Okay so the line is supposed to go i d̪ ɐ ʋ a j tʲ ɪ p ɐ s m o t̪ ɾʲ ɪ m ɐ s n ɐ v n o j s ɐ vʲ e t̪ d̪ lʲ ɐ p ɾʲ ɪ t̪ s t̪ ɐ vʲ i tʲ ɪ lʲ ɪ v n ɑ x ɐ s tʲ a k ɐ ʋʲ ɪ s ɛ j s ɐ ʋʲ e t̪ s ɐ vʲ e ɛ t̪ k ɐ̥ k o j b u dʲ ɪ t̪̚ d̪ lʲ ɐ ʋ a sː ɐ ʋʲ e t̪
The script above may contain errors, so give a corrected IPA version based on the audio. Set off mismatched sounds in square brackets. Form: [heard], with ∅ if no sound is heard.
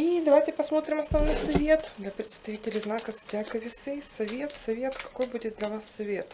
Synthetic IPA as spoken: i d̪ ɐ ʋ a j tʲ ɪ p ɐ s m o t̪ ɾʲ ɪ m ɐ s n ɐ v n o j s ɐ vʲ e t̪ d̪ lʲ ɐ p ɾʲ ɪ t̪ s t̪ ɐ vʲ i tʲ ɪ lʲ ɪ [z] n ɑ [k] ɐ s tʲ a k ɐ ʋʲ ɪ s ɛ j s ɐ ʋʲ e t̪ s ɐ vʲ e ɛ t̪ k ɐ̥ k o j b u dʲ ɪ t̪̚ d̪ lʲ ɐ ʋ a sː ɐ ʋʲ e t̪